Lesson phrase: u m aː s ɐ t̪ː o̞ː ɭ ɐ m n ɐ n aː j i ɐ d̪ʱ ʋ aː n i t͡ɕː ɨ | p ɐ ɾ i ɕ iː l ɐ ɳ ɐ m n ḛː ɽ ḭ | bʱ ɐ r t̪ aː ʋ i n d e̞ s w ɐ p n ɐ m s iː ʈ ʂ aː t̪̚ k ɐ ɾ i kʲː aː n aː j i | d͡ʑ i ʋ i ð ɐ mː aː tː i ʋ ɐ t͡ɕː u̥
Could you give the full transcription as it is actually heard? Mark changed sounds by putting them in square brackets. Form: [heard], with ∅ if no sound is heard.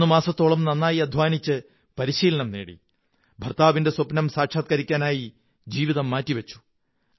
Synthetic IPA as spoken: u m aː s ɐ t̪ː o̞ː ɭ ɐ m n ɐ [nː] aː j i ɐ d̪ʱ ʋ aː n i t͡ɕː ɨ | p ɐ ɾ i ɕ iː l ɐ ɳ ɐ m n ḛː ɽ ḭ | bʱ ɐ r t̪ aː ʋ i n d e̞ s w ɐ p n ɐ m s [aː] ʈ ʂ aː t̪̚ k ɐ ɾ i kʲː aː n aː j i | d͡ʑ [iː] ʋ i ð ɐ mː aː tː i ʋ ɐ t͡ɕː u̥